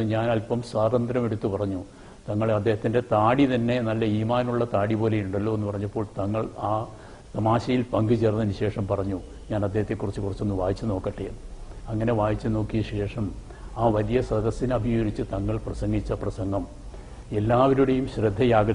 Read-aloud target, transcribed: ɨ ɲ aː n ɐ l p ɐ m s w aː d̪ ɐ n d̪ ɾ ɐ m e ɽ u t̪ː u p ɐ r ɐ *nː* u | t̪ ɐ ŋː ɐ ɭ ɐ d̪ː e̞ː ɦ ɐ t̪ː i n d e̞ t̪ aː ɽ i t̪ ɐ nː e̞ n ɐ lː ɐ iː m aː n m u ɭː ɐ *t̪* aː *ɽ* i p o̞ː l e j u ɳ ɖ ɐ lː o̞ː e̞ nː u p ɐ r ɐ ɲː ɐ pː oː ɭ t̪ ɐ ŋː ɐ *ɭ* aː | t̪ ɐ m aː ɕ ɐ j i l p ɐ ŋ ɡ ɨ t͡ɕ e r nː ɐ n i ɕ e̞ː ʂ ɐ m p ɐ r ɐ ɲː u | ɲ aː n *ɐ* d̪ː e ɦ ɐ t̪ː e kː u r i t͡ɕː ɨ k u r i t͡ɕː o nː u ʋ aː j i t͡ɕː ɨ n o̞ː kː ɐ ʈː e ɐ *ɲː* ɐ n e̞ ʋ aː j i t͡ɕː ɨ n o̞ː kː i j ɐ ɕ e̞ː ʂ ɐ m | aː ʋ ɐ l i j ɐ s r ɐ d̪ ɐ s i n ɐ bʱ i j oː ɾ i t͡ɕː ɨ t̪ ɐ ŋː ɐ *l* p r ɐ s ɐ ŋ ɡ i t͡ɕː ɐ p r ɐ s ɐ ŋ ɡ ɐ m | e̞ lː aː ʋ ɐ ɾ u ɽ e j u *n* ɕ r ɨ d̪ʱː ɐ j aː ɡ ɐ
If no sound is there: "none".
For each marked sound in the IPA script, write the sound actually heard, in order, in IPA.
ɲː, t̪, ɽ, ɭ, ɐ, ŋː, ɭ, m

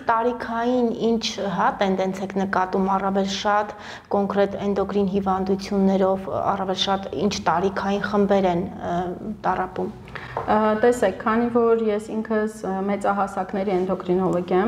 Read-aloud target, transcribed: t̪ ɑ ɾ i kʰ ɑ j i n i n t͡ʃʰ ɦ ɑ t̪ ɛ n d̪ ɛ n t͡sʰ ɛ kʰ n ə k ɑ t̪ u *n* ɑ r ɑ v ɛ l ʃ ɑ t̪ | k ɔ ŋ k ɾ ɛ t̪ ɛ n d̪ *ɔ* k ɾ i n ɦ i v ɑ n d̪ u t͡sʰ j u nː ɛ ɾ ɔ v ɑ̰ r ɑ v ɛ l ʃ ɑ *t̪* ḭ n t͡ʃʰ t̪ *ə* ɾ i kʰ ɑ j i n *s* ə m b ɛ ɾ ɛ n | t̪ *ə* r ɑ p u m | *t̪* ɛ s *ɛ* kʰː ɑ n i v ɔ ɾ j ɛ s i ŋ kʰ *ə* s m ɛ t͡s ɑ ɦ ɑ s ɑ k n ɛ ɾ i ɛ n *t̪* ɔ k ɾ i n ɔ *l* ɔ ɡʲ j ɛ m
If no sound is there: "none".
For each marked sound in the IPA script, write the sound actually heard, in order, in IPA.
m, ɔ, t̪, ɑ, χ, ɑ, t̪, ɛ, ə, d̪, l

